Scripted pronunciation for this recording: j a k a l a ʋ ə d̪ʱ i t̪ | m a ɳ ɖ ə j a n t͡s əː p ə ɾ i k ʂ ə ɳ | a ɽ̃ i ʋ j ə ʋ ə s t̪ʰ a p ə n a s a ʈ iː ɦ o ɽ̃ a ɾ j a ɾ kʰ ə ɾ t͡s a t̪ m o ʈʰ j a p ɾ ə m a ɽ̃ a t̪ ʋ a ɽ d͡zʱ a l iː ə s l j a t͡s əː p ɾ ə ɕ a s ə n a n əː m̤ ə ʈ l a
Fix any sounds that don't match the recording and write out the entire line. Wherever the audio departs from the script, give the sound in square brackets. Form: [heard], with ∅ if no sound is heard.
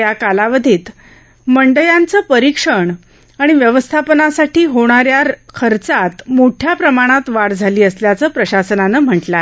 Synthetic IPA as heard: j a k a l a ʋ ə d̪ʱ [iː] t̪ | m [ə] ɳ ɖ ə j a n t͡s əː p ə ɾ i k ʂ ə ɳ | a ɽ̃ i ʋ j ə ʋ ə s t̪ʰ a p ə n a s a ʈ iː ɦ o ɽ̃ a ɾ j a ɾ kʰ ə ɾ t͡s a t̪ m o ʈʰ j a p ɾ ə m a ɽ̃ a t̪ ʋ a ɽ d͡zʱ a l iː ə s l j a t͡s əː p ɾ ə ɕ a s ə n a n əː m̤ ə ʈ l a